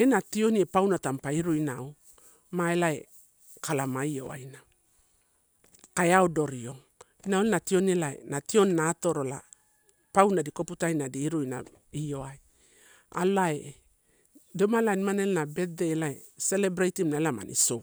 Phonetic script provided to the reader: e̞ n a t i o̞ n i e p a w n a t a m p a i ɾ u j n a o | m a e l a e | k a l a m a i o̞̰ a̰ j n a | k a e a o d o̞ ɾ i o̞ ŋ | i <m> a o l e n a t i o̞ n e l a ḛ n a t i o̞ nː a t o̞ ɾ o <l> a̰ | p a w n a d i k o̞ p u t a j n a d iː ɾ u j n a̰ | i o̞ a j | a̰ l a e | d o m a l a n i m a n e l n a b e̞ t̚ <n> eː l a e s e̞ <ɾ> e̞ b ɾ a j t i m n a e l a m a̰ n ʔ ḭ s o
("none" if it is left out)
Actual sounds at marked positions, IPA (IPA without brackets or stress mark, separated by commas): n, l, d, l